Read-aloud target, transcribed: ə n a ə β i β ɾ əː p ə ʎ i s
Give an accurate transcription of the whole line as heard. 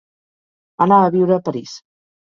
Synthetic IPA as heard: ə n a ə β i w ɾ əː p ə ɾ i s